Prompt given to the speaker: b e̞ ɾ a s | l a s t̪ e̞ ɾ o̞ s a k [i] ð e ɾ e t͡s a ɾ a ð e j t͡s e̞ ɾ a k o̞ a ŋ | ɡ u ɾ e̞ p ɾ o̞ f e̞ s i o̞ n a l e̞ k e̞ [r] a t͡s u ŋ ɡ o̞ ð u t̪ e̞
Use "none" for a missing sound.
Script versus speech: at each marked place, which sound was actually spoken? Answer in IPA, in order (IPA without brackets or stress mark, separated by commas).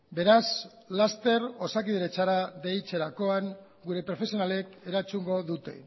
i, ɾ